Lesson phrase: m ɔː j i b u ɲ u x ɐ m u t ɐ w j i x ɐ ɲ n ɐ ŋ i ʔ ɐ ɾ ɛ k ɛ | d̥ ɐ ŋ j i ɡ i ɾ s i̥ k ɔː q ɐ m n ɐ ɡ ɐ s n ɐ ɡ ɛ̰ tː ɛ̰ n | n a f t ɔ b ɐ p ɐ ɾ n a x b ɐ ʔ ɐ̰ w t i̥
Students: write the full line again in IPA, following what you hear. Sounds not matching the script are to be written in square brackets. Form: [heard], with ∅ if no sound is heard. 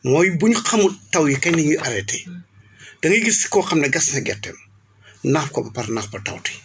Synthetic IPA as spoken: m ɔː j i b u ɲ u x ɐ m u t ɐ w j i [k] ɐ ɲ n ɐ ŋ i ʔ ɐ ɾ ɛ [t] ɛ | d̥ ɐ ŋ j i ɡ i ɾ s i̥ k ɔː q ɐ m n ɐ ɡ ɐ s n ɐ ɡ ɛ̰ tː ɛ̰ [m] | n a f [k] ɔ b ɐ p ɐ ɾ n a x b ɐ [t] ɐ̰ w t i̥